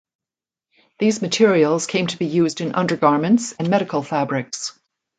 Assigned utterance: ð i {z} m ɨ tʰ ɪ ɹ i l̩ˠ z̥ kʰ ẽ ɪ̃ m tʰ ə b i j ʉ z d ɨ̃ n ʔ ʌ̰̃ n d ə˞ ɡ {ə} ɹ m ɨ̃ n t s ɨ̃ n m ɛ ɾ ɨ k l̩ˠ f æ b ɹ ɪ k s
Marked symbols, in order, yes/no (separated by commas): yes, no